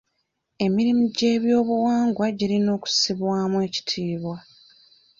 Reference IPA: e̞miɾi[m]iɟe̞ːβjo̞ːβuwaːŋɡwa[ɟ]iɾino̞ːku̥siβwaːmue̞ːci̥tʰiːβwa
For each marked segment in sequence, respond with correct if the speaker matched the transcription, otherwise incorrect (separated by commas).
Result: correct, correct